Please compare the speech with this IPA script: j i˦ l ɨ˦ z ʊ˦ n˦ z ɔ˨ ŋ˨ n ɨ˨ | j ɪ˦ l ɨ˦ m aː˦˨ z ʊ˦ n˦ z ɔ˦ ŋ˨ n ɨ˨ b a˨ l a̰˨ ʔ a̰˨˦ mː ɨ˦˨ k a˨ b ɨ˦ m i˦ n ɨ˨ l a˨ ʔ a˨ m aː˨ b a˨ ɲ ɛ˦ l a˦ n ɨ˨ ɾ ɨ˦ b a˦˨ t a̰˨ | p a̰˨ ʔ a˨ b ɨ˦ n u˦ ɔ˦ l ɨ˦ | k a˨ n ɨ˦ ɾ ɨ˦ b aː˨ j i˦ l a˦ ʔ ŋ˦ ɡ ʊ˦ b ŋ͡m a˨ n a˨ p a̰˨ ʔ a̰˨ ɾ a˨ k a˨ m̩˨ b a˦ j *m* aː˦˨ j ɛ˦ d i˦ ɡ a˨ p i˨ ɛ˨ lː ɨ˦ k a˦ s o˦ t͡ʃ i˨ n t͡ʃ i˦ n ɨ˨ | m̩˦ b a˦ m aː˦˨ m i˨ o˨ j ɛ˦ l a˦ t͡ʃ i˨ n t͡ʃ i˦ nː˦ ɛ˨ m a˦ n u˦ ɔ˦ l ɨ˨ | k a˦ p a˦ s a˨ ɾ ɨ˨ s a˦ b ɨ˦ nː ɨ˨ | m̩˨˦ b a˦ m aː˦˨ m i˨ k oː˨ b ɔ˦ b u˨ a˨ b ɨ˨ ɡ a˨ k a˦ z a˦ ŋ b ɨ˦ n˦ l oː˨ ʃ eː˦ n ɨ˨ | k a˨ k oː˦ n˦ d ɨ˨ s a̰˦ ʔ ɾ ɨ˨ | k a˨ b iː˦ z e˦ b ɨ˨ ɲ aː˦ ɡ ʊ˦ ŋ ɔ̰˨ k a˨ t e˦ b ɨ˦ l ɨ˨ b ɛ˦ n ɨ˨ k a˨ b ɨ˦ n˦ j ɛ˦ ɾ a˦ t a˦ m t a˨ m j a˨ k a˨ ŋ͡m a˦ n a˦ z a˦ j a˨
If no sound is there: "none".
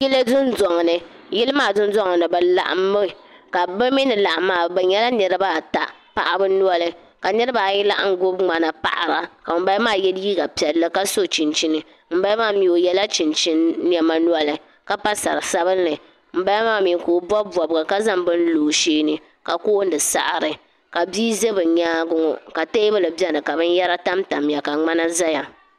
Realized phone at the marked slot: m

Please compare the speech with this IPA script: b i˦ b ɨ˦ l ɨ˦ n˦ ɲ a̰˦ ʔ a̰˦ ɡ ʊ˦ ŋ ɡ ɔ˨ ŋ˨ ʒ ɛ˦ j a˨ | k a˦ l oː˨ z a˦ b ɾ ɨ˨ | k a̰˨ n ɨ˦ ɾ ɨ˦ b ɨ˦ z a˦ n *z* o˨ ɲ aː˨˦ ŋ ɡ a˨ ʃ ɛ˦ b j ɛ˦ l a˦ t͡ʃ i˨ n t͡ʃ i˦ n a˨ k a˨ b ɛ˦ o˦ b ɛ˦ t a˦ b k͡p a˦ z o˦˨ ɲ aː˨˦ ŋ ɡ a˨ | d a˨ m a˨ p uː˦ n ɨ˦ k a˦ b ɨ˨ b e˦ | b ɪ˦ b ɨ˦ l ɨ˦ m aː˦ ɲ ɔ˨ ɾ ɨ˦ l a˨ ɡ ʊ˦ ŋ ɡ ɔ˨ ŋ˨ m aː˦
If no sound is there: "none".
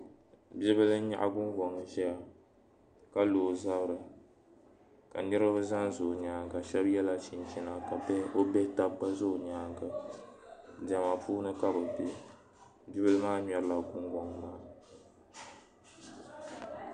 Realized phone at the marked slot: z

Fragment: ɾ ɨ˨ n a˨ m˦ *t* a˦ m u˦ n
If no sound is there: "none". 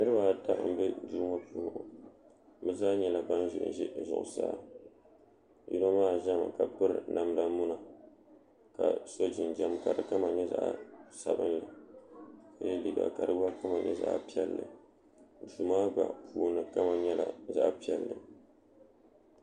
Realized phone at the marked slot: d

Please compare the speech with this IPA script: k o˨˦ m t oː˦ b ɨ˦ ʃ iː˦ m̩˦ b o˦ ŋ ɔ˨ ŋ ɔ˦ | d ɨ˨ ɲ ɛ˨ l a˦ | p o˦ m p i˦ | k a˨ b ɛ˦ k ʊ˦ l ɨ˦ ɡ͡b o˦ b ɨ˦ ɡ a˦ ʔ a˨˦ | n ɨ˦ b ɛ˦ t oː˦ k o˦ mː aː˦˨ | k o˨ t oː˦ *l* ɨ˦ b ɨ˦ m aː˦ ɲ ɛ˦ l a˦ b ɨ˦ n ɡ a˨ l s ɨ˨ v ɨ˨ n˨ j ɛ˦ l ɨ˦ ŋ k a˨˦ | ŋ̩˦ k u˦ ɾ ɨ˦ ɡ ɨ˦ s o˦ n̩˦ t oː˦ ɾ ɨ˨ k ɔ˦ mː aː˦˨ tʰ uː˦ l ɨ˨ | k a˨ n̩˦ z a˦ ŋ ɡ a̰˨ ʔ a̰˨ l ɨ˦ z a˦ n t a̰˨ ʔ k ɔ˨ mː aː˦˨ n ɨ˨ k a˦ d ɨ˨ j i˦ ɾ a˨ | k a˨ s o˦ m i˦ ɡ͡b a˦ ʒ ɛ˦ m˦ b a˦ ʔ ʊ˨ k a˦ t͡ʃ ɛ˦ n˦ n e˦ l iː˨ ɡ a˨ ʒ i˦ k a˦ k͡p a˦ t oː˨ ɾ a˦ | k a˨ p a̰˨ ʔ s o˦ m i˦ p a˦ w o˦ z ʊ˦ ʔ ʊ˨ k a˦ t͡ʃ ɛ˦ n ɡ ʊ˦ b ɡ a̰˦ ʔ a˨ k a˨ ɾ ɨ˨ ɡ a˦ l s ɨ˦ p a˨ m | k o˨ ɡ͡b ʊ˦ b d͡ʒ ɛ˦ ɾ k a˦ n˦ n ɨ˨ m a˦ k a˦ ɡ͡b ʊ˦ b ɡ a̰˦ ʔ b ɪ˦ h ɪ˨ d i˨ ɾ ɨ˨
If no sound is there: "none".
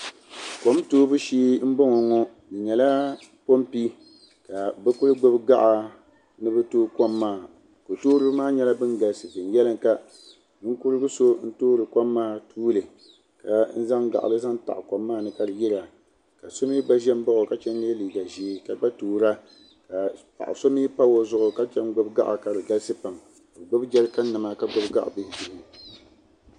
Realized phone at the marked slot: ɾ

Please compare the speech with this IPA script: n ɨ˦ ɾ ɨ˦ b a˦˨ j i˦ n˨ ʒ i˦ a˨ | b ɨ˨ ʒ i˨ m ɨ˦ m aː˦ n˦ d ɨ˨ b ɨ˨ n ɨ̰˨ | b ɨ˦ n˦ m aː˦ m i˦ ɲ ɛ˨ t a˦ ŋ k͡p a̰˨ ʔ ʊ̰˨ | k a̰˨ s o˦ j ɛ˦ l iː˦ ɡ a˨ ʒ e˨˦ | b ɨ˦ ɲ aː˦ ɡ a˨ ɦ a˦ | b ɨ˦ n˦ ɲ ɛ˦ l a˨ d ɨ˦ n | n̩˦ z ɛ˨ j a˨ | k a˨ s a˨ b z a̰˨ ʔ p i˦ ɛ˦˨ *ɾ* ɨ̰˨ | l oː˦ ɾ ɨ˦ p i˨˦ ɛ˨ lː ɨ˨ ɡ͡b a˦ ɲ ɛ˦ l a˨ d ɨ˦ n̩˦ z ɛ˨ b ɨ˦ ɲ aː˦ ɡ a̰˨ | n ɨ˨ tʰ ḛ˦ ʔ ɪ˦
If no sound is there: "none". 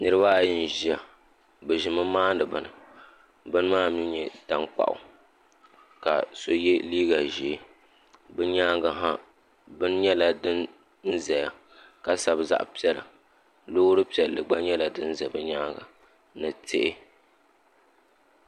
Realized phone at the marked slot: l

